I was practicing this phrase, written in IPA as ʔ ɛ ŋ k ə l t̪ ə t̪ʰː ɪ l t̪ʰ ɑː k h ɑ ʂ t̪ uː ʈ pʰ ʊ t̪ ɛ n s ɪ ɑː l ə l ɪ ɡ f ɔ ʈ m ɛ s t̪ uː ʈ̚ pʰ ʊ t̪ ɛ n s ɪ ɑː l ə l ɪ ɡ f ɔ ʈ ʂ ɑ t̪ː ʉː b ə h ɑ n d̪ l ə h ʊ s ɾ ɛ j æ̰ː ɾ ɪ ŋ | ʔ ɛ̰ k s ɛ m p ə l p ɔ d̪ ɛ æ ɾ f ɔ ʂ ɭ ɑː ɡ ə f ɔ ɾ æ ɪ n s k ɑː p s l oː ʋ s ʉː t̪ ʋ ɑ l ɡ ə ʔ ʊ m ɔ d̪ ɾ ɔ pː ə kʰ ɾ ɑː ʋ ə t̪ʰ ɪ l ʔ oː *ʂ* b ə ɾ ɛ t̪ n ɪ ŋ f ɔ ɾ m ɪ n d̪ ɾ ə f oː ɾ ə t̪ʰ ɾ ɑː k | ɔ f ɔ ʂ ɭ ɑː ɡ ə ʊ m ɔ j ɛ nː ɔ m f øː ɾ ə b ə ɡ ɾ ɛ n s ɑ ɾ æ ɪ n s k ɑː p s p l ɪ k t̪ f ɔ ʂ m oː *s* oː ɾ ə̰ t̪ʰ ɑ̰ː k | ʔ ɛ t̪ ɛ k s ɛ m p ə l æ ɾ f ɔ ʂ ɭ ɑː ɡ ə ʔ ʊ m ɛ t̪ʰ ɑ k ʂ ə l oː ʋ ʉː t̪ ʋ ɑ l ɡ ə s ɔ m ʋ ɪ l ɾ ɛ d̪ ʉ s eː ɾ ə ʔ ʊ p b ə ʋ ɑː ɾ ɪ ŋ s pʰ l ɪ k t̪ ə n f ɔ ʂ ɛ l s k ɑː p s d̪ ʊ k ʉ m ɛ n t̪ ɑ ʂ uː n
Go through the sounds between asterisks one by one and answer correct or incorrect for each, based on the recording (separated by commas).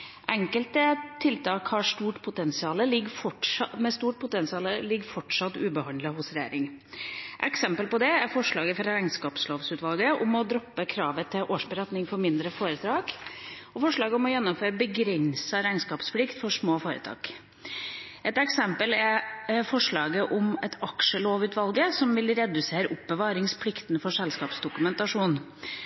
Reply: correct, incorrect